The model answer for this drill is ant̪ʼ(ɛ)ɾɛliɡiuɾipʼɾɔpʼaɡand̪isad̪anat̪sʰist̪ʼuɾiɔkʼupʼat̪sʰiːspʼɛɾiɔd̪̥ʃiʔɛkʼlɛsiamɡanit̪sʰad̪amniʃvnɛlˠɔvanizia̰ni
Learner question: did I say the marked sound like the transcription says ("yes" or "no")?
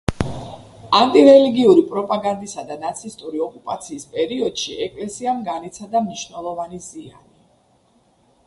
no